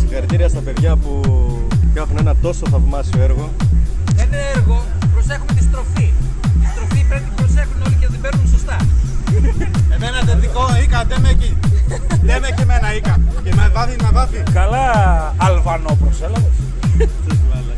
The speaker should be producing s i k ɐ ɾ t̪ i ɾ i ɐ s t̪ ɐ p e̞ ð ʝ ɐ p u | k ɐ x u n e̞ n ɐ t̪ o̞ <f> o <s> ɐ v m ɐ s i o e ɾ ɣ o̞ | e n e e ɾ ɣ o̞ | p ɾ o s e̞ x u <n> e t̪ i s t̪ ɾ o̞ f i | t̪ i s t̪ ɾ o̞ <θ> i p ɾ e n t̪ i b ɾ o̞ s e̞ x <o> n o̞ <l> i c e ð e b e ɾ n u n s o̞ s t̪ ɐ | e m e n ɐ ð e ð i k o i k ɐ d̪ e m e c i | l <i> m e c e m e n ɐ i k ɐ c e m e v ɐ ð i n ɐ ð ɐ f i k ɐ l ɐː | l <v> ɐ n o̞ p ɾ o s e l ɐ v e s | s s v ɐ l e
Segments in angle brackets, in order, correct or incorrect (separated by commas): incorrect, incorrect, incorrect, incorrect, incorrect, correct, incorrect, correct